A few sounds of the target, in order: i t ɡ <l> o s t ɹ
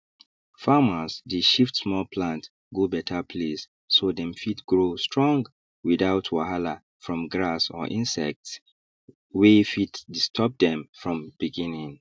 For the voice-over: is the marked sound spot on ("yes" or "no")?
no